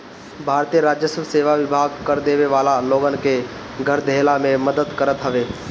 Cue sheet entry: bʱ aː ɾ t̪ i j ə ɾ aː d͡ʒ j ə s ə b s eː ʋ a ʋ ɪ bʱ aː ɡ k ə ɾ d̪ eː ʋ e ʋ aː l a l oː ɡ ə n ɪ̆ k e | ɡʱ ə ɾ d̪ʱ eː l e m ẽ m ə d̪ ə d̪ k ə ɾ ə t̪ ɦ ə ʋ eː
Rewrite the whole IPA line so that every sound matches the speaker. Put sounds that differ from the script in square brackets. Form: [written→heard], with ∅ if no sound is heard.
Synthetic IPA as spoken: bʱ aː ɾ t̪ i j ə ɾ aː d͡ʒ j ə s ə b s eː ʋ a ʋ ɪ bʱ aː ɡ k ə ɾ d̪ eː ʋ e ʋ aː l a l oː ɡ ə n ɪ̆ k e | ɡʱ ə ɾ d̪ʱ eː l [e→a] m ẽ m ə d̪ ə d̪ k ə ɾ ə t̪ ɦ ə ʋ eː